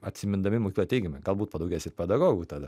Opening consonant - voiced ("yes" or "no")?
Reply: no